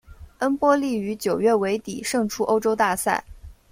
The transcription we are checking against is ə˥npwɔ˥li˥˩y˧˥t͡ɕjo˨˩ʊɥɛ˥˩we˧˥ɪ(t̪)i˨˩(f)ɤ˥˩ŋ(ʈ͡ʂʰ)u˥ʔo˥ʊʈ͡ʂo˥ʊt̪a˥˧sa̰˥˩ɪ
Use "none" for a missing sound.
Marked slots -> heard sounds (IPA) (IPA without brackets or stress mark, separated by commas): t̪, ʂ, ʈ͡ʂʰ